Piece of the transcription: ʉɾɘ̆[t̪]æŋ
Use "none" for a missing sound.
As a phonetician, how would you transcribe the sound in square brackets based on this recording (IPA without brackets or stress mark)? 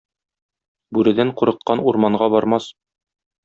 d̪